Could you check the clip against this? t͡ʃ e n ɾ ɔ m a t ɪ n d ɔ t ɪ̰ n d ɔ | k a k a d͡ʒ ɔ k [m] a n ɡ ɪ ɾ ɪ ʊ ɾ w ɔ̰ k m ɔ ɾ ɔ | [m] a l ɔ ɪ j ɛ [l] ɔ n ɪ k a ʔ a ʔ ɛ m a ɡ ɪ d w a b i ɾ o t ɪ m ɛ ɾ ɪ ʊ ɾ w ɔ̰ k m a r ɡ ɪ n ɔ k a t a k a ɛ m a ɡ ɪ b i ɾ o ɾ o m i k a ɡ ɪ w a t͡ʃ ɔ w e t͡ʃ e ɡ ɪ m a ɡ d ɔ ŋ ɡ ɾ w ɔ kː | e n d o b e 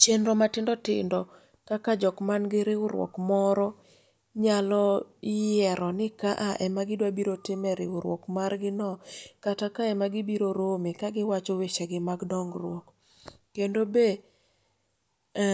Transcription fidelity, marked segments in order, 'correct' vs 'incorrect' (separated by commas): correct, incorrect, incorrect